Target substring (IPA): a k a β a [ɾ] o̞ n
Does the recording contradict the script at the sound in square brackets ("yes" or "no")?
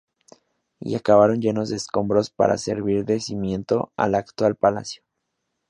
no